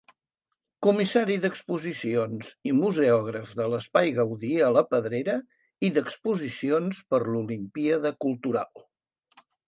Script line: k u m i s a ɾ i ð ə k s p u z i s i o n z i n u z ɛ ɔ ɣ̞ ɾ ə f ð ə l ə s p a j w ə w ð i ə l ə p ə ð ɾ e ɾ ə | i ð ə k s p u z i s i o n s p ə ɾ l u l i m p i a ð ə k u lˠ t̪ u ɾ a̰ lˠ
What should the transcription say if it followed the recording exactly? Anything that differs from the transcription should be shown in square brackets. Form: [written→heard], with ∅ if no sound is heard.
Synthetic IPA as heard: k u m i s a ɾ i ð ə k s p u z i s i o n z i [n→m] u z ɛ ɔ ɣ̞ ɾ ə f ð ə l ə s p a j [w→ɣ] ə w ð i ə l ə p ə ð ɾ e ɾ ə | i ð ə k s p u z i s i o n s p ə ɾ l u l i m p i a ð ə k u lˠ t̪ u ɾ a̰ lˠ